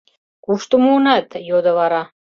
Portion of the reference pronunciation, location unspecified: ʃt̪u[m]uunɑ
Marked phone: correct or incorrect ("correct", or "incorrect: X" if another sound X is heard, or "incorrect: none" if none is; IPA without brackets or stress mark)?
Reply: correct